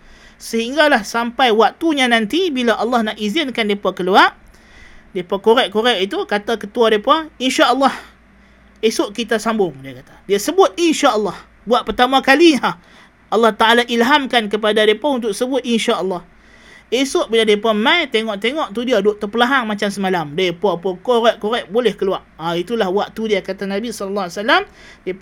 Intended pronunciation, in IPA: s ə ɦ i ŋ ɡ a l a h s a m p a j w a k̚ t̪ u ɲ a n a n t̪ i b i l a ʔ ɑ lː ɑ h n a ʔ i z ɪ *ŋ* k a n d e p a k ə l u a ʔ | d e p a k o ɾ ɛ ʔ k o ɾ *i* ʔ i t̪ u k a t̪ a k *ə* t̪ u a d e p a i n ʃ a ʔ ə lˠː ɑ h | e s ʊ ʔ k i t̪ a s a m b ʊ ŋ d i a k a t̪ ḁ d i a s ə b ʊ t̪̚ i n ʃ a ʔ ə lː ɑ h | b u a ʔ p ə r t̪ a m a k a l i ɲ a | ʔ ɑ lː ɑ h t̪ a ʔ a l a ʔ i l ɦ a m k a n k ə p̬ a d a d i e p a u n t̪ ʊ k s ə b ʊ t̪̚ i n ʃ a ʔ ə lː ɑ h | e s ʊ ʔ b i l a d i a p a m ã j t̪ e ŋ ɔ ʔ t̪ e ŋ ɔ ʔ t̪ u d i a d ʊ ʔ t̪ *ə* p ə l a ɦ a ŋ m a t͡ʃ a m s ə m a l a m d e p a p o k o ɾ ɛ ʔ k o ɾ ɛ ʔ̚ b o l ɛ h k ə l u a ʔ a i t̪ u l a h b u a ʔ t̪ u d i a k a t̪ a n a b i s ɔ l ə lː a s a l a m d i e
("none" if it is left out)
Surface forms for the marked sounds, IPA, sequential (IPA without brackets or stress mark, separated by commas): n, ɛ, ə, ə